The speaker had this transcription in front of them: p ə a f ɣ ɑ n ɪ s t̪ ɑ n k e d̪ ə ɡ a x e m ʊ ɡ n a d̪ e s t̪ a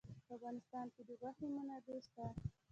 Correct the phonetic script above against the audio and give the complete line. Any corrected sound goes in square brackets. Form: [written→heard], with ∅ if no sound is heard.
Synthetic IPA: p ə a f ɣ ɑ n ɪ s t̪ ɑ n k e d̪ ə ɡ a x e m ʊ [ɡ→∅] n a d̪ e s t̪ a